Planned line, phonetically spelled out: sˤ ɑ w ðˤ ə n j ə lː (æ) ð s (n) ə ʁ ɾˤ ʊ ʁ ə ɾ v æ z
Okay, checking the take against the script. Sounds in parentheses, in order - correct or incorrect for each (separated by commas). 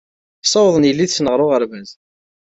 incorrect, correct